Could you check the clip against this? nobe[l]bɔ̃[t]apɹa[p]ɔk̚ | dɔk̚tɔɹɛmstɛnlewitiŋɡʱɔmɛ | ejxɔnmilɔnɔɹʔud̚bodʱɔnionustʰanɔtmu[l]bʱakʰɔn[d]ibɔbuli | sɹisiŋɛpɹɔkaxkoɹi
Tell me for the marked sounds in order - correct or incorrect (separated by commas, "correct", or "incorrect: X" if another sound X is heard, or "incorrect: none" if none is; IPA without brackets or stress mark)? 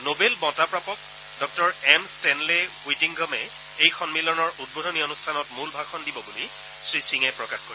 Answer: correct, correct, correct, correct, correct